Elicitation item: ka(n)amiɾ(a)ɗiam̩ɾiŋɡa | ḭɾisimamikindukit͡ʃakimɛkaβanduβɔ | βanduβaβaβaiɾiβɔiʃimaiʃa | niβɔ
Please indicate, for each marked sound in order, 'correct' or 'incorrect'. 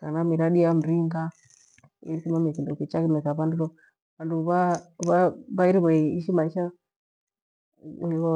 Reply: correct, correct

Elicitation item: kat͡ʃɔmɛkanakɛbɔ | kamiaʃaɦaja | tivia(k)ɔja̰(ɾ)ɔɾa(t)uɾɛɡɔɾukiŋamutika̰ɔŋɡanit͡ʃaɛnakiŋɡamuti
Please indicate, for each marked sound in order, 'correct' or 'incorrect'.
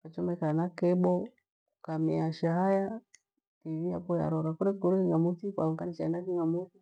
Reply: incorrect, correct, incorrect

